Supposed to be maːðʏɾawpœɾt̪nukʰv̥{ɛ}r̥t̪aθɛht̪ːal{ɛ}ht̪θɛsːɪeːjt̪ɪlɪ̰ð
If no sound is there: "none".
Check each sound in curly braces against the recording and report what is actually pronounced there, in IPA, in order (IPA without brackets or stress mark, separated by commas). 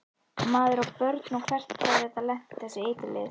ɛ, ɛ